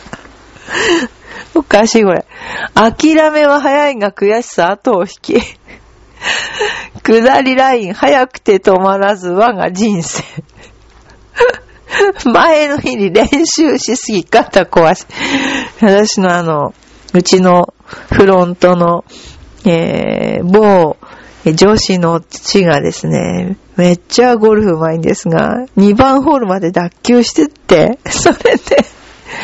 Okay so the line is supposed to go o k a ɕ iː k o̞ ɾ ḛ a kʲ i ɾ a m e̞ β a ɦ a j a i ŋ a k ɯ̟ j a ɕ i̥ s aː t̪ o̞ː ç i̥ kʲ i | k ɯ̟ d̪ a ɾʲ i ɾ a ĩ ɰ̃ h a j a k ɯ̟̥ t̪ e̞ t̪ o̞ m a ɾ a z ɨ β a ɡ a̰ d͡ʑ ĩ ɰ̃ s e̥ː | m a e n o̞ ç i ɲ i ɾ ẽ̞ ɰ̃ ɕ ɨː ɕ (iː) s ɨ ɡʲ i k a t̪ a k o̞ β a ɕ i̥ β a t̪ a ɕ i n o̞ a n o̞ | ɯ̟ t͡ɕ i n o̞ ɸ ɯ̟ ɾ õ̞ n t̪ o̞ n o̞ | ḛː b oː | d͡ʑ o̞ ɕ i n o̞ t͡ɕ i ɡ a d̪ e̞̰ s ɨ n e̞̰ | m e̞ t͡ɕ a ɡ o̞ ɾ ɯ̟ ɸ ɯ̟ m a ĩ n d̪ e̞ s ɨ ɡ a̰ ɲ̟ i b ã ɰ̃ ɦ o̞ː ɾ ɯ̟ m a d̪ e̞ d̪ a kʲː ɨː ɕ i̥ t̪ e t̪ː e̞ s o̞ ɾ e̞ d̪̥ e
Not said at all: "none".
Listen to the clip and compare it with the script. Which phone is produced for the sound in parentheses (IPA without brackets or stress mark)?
i